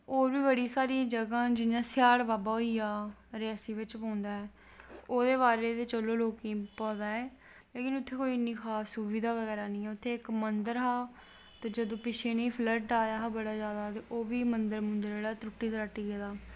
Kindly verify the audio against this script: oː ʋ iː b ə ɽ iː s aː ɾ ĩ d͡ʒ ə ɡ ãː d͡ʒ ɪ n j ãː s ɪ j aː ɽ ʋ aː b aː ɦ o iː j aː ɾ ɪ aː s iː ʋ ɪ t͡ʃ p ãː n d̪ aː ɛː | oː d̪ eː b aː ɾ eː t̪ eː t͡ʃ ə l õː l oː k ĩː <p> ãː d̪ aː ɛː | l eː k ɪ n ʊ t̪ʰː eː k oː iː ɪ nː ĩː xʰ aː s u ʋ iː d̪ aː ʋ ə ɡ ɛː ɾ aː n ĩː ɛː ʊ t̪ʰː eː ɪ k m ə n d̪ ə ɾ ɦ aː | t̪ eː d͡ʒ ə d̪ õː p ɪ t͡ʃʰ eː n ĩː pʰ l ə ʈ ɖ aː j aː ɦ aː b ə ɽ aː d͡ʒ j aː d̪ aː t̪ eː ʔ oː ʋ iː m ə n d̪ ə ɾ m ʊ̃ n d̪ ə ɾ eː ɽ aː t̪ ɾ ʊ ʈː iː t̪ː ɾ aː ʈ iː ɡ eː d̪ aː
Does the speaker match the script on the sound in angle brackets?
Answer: yes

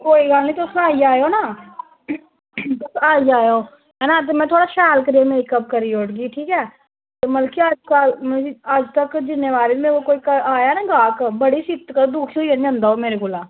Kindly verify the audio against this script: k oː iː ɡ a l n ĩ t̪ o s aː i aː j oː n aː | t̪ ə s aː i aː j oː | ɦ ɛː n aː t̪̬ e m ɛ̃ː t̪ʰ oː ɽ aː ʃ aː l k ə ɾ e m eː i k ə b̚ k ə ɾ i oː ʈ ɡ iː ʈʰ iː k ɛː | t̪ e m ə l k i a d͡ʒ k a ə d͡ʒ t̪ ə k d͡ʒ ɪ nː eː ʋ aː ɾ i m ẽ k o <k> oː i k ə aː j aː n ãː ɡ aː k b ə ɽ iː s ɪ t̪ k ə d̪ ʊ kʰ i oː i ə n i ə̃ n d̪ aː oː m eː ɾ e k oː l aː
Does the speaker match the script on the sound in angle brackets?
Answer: yes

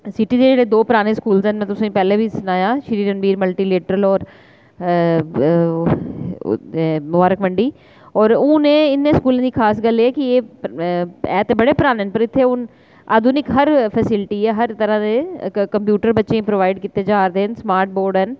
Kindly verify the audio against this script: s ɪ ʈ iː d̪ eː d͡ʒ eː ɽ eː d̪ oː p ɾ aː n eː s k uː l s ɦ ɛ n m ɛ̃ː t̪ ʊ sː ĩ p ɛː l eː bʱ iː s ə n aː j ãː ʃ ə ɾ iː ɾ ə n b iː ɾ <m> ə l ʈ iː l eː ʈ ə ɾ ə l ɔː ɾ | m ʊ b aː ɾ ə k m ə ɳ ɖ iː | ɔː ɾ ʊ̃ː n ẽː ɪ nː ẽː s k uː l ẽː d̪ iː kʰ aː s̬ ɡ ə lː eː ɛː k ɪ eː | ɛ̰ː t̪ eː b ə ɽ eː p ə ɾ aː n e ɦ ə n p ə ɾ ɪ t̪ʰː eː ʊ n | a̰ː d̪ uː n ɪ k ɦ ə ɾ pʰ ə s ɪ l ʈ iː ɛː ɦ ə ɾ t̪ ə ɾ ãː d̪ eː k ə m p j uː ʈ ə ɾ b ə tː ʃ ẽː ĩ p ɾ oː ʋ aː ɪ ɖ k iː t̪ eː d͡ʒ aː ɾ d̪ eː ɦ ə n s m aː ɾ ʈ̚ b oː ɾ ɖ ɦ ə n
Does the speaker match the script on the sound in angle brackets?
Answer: yes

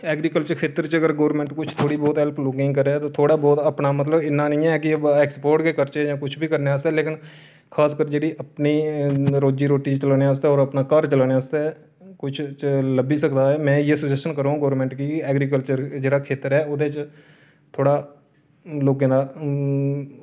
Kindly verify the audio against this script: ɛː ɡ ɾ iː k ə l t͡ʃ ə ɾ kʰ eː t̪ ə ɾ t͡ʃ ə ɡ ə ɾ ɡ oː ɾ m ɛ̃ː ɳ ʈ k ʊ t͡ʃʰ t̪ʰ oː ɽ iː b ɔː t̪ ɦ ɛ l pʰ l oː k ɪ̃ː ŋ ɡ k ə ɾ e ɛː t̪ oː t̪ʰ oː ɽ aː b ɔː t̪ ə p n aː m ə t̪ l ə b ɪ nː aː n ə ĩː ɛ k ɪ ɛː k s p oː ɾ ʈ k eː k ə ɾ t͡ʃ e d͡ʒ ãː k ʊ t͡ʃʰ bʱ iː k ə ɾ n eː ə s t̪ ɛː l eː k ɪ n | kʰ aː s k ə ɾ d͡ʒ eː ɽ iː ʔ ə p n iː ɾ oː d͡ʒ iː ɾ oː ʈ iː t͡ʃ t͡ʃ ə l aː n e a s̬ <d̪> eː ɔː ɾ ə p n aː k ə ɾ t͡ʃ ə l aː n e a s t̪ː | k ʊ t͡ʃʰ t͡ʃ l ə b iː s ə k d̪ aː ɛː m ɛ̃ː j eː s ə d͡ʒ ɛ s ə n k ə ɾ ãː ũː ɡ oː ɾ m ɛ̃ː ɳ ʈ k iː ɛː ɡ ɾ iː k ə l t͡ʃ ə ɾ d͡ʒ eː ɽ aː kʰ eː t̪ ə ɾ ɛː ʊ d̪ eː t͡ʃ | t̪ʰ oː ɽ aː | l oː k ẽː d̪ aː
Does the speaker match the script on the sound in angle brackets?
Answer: no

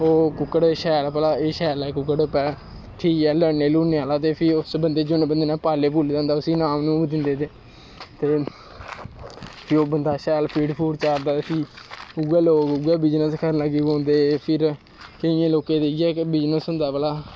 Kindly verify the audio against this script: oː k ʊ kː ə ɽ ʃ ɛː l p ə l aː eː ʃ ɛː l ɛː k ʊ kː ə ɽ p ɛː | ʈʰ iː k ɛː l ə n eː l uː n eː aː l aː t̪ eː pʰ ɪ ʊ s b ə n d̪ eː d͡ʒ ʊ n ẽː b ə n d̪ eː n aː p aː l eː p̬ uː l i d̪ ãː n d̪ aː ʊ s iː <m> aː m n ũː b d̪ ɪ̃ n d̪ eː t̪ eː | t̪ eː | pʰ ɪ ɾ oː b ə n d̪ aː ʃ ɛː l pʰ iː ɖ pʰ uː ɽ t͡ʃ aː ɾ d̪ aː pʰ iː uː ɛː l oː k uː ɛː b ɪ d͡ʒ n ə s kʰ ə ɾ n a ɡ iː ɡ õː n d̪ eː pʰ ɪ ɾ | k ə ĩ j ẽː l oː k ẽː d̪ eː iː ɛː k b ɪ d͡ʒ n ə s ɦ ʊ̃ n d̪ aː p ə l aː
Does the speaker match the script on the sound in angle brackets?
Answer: no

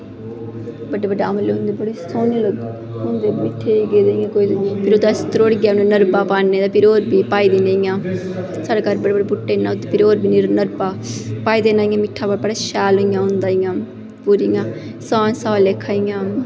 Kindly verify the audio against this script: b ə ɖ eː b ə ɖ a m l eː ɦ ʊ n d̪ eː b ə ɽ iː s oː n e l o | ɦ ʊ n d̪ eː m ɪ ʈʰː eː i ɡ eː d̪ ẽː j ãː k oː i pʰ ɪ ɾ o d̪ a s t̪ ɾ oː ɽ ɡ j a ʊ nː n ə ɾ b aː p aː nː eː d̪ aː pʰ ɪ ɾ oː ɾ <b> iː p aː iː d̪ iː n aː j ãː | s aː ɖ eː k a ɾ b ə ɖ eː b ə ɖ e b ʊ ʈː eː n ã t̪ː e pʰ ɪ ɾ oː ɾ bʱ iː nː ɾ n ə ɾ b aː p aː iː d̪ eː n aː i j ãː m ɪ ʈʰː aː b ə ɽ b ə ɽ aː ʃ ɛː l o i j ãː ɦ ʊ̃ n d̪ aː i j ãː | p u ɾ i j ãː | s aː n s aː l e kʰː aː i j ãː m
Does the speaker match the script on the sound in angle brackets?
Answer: yes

